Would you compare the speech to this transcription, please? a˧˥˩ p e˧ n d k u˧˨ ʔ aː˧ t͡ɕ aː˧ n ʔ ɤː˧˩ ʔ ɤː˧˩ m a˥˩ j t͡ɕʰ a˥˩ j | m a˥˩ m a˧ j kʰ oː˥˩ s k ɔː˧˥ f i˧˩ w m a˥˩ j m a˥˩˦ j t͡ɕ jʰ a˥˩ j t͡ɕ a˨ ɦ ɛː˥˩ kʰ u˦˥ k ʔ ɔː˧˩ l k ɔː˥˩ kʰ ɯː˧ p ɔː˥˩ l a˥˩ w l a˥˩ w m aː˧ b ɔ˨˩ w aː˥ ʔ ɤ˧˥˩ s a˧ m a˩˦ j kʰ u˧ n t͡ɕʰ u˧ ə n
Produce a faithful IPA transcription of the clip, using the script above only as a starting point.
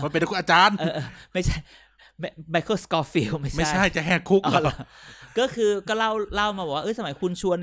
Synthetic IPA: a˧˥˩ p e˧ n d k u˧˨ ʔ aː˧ t͡ɕ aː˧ n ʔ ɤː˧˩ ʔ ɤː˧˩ m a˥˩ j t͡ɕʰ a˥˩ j | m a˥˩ m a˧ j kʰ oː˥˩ s k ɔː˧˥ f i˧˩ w m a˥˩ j m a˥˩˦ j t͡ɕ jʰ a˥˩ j t͡ɕ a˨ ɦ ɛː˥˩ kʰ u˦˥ k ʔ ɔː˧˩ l k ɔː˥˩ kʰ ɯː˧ k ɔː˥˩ l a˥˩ w l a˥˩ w m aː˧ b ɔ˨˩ w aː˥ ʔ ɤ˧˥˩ s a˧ m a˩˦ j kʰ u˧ n t͡ɕʰ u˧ ə n